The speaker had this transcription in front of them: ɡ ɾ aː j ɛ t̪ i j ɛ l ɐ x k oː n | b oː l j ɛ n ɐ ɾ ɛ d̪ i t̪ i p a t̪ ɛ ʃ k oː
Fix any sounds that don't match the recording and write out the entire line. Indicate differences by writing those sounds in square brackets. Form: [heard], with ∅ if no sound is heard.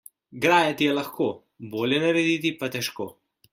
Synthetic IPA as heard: ɡ ɾ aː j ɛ t̪ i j ɛ l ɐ x k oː [∅] | b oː l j ɛ n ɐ ɾ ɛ d̪ i t̪ i p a t̪ ɛ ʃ k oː